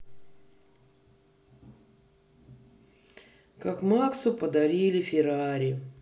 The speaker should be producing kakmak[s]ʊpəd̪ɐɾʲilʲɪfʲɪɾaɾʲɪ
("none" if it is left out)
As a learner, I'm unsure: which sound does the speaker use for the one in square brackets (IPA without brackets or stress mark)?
s